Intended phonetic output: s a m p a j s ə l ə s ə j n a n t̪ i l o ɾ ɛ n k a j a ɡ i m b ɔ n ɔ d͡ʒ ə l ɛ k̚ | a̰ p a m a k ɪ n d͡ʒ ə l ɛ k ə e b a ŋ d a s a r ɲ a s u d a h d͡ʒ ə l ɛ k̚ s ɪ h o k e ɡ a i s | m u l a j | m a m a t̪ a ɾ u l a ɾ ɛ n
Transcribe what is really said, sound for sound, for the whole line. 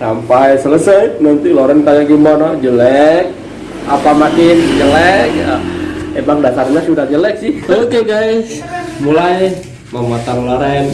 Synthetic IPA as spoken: s a m p a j s ə l ə s ə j n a n t̪ i l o ɾ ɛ n k a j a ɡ i m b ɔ n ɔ d͡ʒ ə l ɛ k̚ | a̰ p a m a k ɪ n d͡ʒ ə l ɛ k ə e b a ŋ d a s a r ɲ a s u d a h d͡ʒ ə l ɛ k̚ s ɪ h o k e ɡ a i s | m u l a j | m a m a t̪ a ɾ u l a ɾ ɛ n